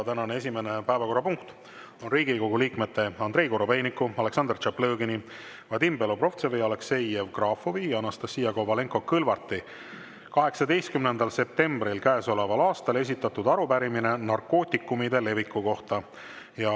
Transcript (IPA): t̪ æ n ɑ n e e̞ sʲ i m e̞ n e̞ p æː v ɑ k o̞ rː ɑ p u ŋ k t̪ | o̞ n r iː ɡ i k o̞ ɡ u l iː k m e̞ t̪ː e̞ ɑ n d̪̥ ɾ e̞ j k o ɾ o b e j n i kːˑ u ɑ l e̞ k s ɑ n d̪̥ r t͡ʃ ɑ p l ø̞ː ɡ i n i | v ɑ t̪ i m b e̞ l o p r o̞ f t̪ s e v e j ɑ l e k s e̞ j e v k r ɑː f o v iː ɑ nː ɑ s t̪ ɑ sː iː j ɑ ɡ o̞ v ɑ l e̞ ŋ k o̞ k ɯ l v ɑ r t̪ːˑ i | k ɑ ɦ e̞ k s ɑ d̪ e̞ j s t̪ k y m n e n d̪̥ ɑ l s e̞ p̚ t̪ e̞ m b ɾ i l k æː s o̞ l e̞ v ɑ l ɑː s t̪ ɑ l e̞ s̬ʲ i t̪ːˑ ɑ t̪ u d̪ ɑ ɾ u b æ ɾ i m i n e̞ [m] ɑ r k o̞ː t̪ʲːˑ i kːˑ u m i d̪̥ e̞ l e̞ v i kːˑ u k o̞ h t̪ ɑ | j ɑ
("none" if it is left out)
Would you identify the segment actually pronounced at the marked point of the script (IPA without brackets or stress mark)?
n